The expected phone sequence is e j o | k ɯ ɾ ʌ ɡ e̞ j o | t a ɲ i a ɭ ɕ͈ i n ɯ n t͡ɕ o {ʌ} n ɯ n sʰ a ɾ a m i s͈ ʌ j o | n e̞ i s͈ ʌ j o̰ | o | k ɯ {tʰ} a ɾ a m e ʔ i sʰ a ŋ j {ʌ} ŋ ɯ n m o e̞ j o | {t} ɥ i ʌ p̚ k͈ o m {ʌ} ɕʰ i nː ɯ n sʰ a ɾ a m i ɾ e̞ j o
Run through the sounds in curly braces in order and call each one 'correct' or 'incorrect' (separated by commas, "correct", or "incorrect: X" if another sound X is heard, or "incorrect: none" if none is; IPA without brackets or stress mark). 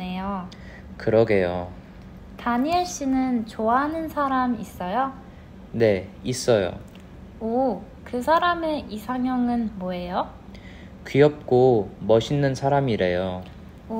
incorrect: a, incorrect: sʰ, correct, incorrect: k, correct